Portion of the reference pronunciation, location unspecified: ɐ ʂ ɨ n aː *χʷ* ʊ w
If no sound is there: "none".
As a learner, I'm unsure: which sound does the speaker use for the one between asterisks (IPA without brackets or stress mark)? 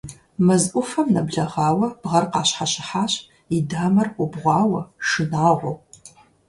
ʁʷ